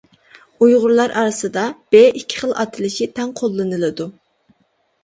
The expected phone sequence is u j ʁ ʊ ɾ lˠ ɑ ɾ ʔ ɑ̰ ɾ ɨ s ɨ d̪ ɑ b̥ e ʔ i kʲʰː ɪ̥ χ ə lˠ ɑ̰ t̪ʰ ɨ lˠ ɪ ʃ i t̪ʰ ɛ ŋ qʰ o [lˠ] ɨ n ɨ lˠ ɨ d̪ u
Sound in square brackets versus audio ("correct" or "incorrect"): incorrect